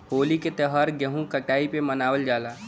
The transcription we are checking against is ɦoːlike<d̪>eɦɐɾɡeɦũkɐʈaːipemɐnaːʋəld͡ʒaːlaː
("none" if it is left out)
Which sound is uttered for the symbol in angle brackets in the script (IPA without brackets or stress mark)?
t̪